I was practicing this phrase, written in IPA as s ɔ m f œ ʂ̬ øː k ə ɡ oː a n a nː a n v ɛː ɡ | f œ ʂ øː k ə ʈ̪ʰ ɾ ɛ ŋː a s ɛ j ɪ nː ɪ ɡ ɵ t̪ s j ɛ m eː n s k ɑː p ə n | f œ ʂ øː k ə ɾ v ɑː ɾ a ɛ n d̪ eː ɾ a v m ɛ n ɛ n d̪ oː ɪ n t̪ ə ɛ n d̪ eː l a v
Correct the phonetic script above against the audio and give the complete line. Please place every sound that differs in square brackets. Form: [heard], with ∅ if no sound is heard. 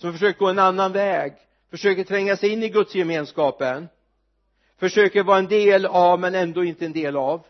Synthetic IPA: s ɔ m f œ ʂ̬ øː k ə ɡ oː [ɛ] n a nː a n v ɛː ɡ | f œ ʂ øː k ə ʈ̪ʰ ɾ ɛ ŋː a s ɛ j ɪ nː ɪ ɡ ɵ t̪ s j ɛ m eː n s k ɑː p ə n | f œ ʂ øː k ə ɾ v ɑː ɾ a ɛ n d̪ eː [l] a v m ɛ n ɛ n d̪ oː ɪ n t̪ ə ɛ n d̪ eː l a v